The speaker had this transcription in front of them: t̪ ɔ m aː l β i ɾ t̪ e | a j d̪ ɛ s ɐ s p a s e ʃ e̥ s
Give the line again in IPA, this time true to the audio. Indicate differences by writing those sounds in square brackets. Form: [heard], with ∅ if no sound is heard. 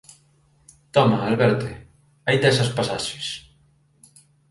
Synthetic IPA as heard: t̪ ɔ m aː l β [ɛ] ɾ t̪ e | a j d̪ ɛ s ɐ s p a s [a] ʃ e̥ s